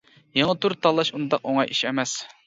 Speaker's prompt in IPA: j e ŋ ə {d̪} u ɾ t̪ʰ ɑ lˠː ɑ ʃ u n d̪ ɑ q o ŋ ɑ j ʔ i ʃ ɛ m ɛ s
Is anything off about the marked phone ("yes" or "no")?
yes